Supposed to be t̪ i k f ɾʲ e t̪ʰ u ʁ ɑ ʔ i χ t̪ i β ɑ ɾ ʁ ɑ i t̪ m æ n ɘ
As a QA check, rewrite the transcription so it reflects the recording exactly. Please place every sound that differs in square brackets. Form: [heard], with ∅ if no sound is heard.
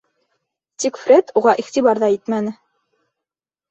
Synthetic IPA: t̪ i k f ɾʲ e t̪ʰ u ʁ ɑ ʔ i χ t̪ i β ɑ ɾ [ð] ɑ i t̪ m æ n ɘ